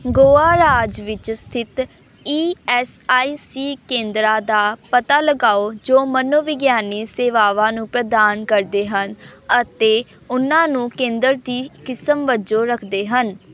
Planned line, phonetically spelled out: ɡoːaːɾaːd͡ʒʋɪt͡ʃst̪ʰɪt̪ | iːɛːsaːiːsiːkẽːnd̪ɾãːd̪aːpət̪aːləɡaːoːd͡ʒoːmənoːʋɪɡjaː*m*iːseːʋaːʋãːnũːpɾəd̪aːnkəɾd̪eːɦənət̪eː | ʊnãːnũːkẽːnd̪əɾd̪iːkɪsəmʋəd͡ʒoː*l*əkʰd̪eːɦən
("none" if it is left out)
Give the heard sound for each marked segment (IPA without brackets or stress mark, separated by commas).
n, ɾ